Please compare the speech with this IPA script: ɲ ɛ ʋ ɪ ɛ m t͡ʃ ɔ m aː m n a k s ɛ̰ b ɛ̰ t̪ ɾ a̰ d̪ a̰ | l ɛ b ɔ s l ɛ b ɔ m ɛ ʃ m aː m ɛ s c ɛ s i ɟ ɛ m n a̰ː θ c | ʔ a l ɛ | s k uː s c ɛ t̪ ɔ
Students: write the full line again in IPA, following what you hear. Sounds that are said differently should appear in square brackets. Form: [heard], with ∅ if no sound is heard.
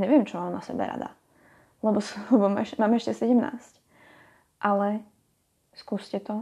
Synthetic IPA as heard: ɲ ɛ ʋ ɪ ɛ m t͡ʃ ɔ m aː m n a [∅] s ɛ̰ b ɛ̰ [∅] ɾ a̰ d̪ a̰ | l ɛ b ɔ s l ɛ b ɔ m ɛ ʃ m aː m ɛ [ʃ] c ɛ s [ɛ] ɟ ɛ m n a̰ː [s] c | ʔ a l ɛ | s k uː s c ɛ t̪ ɔ